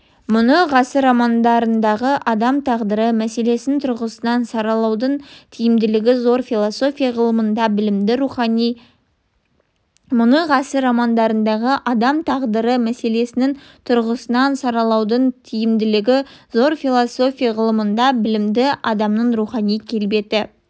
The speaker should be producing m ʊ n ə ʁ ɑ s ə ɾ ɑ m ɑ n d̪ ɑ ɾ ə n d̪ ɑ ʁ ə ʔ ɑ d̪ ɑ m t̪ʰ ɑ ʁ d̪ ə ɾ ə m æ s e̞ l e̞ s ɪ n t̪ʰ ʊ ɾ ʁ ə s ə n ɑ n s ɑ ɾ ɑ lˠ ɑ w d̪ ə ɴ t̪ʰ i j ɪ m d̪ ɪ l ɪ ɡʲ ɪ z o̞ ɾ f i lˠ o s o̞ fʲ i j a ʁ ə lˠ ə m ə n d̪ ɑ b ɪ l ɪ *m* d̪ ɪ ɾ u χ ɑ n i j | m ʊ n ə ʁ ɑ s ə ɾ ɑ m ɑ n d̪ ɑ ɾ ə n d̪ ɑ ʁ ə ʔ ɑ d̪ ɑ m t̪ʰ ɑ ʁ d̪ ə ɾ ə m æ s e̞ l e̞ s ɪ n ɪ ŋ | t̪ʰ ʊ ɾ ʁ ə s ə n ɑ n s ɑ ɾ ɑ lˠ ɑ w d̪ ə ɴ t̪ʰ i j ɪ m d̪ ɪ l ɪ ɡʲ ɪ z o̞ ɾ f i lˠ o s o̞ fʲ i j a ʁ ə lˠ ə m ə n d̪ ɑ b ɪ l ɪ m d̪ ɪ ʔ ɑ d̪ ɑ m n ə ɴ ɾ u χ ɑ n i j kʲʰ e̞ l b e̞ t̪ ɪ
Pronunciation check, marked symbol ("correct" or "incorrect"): correct